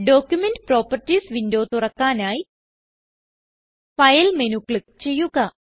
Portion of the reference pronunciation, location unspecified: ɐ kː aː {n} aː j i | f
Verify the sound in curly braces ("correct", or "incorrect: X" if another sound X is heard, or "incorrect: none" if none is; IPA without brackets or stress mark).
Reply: correct